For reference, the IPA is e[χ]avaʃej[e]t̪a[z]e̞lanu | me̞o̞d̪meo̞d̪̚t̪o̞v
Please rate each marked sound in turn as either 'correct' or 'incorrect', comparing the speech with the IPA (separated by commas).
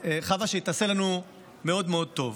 correct, incorrect, incorrect